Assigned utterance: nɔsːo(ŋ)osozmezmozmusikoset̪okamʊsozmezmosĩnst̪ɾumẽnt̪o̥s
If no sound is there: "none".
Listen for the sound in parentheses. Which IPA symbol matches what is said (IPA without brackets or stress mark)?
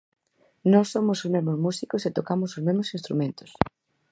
m